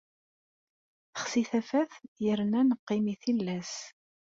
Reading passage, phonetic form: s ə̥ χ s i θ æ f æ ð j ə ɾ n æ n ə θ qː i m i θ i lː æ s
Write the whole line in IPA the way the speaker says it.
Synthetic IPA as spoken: θ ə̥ χ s i θ æ f æ θ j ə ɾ n æ n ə qː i m i θ i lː æ s